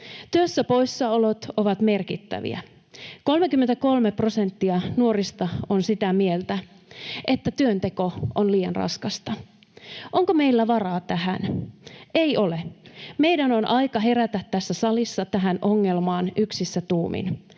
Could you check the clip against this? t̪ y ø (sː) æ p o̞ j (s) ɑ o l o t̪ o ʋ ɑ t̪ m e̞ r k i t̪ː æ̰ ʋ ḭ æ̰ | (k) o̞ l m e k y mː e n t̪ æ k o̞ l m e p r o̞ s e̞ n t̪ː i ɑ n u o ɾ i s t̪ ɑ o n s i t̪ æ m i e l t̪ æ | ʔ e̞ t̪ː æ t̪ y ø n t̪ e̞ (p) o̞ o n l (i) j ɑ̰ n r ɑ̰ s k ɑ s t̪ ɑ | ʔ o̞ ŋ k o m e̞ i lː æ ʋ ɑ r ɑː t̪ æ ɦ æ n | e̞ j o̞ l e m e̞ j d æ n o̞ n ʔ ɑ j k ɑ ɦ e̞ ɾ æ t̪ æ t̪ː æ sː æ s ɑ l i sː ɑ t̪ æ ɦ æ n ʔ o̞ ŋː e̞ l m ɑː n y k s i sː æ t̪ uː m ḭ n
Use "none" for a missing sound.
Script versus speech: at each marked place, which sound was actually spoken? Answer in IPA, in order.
sː, sː, k, k, iː

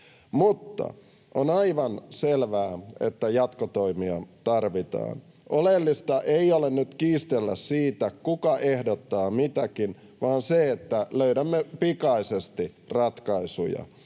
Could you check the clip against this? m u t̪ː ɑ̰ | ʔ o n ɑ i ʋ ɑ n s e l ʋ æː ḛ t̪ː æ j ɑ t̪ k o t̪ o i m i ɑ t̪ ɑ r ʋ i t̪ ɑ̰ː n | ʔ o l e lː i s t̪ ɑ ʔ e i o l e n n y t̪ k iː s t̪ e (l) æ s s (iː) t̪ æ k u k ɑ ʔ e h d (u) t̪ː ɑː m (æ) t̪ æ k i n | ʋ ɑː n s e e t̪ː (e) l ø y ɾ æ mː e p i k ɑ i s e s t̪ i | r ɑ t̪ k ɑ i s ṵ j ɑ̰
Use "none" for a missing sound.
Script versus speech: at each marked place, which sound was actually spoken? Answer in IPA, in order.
lː, iː, o, i, æ

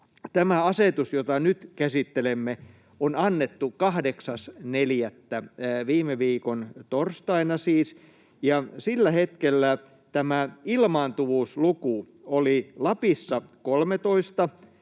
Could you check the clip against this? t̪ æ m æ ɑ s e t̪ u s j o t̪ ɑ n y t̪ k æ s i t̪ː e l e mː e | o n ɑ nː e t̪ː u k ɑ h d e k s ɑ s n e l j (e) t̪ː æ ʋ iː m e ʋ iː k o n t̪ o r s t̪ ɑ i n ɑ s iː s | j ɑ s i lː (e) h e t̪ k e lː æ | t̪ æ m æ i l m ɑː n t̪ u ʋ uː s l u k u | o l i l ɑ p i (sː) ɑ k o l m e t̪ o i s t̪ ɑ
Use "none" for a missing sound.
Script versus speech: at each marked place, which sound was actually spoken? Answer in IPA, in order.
æ, æ, sː

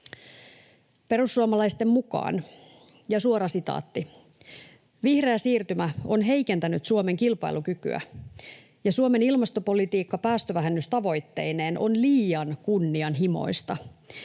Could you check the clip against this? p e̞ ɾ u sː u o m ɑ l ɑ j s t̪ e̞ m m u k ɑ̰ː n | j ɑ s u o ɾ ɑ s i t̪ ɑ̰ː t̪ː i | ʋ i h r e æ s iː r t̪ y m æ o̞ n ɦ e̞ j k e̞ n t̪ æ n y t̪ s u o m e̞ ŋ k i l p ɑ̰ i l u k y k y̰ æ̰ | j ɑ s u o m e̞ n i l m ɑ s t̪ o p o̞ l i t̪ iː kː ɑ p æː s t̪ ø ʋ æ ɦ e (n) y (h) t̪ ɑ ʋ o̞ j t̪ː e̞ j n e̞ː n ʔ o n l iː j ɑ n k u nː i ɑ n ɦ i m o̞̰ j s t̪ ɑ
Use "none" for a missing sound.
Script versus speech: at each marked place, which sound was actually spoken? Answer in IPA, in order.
nː, s

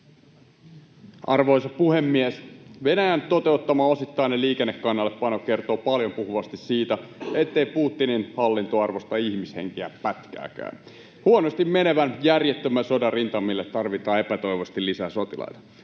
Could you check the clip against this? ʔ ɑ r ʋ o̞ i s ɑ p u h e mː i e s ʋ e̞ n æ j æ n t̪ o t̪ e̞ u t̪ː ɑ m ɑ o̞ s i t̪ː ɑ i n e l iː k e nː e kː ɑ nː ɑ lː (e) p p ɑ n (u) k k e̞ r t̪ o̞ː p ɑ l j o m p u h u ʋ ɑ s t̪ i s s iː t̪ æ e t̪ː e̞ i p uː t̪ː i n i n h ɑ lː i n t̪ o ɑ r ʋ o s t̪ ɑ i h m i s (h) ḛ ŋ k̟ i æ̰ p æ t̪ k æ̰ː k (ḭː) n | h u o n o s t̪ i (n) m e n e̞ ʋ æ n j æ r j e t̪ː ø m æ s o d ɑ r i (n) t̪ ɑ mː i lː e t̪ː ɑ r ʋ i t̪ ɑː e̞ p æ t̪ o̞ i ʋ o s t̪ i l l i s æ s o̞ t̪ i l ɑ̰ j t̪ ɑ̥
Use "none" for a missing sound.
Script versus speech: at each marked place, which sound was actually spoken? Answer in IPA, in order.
e, o, h, æ̰ː, m, n

